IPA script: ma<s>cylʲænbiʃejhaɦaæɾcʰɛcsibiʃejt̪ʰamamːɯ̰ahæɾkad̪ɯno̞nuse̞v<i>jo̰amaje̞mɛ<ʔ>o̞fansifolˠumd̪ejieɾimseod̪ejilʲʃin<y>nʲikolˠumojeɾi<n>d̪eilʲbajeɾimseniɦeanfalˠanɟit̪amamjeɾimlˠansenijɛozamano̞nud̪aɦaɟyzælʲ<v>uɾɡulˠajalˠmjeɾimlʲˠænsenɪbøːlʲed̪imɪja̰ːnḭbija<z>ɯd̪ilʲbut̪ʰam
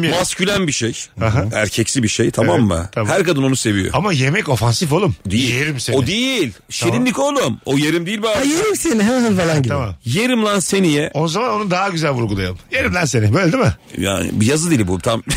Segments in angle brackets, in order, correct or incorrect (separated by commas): correct, correct, incorrect, incorrect, incorrect, correct, correct